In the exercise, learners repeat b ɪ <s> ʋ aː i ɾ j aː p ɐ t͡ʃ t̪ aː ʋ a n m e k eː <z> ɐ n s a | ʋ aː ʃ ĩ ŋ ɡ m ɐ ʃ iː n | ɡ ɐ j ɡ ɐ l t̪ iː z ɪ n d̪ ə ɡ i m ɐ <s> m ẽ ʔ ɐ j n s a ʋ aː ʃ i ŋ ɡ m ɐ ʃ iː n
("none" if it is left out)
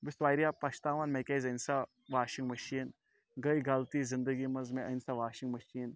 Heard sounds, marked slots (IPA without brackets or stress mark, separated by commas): s, z, z